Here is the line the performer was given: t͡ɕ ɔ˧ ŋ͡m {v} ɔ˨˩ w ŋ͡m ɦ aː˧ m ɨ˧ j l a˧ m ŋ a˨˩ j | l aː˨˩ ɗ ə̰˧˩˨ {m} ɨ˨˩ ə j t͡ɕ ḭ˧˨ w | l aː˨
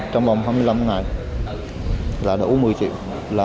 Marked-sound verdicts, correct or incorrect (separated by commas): correct, correct